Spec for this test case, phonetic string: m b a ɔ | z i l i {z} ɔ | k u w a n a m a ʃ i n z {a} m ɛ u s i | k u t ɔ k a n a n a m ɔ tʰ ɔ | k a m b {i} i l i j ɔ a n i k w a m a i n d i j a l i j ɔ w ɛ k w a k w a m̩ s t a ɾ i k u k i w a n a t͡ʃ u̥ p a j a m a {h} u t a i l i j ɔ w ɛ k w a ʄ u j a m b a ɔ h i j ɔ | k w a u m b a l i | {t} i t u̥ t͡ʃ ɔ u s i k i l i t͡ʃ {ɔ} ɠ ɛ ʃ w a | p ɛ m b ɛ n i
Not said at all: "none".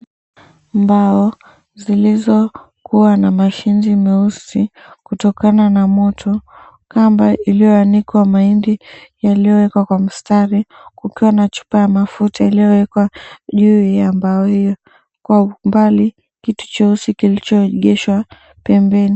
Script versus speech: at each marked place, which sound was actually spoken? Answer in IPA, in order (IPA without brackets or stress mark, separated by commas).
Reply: z, i, a, f, k, ɔ